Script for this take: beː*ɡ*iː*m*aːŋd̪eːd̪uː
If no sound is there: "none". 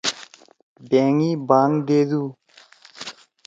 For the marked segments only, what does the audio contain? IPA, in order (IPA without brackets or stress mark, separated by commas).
ŋ, b